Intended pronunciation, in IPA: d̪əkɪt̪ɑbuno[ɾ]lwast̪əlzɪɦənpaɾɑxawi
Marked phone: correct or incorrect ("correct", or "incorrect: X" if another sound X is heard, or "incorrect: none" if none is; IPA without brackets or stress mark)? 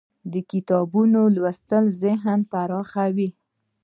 incorrect: none